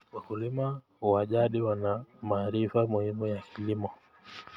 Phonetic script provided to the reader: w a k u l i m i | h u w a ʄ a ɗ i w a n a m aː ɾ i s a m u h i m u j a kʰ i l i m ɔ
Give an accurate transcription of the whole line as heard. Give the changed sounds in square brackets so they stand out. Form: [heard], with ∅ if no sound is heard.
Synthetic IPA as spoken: w a k u l i m [a] | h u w a ʄ a ɗ i w a n a m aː ɾ i [f] a m u h i m u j a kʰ i l i m ɔ

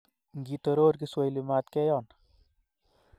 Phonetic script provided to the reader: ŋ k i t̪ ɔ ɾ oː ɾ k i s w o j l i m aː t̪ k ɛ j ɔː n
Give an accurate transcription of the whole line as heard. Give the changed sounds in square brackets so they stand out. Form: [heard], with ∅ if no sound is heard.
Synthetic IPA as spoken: ŋ [ɡ] i t̪ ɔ ɾ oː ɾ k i s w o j l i m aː t̪ k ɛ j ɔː n

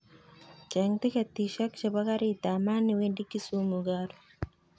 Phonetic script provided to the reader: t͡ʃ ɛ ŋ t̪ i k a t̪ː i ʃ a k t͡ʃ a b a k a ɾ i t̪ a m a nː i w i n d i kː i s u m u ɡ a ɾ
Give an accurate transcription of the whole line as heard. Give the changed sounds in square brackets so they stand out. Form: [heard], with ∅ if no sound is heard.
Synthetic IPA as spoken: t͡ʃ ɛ ŋ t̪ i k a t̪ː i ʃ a k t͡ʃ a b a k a ɾ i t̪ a m a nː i w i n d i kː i s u m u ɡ a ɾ

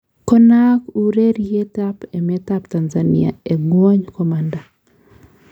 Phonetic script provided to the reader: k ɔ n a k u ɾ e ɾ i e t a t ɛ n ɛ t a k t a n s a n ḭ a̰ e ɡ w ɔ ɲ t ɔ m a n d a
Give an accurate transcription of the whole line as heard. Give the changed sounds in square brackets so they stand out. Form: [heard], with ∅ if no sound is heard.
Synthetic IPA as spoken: k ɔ n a k u ɾ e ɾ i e t a [p] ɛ [m] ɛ t a [p] t a n [z] a n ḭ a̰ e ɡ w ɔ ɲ [k] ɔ m a n d a

